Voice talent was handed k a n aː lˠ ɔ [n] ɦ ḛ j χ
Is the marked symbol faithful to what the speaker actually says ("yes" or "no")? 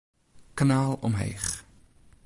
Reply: no